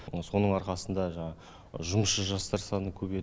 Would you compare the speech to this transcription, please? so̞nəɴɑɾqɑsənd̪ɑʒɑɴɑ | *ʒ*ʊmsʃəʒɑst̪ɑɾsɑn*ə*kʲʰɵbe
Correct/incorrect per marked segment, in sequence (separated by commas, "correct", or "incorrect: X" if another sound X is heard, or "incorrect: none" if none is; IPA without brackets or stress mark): correct, correct